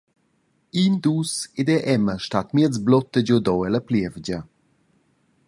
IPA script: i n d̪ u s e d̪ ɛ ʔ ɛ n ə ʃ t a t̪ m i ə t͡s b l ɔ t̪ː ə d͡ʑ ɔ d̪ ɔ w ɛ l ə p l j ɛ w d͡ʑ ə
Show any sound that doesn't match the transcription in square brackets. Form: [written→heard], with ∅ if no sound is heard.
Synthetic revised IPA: i n d̪ u s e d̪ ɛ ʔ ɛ [n→m] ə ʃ t a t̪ m i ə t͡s b l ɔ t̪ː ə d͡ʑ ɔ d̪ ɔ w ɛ l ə p l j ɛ [w→v] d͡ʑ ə